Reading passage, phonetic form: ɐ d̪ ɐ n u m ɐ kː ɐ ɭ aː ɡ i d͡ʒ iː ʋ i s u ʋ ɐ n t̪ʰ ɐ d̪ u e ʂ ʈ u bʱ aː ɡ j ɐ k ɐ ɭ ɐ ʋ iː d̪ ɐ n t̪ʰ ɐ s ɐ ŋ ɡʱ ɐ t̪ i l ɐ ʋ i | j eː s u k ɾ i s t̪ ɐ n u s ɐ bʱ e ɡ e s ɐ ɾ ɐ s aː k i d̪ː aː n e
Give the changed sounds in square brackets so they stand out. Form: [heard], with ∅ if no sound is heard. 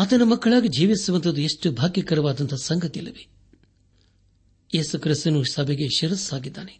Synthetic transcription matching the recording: ɐ [t̪] ɐ n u m ɐ kː ɐ ɭ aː ɡ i d͡ʒ iː ʋ i s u ʋ ɐ n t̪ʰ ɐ d̪ u e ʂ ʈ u bʱ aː ɡ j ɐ k ɐ [ɾ] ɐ ʋ [aː] d̪ ɐ n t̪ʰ ɐ s ɐ ŋ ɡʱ ɐ t̪ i l ɐ ʋ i | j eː s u k ɾ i s t̪ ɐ n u s ɐ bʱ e ɡ e [ʃ] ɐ ɾ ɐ s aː [ɡ] i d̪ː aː n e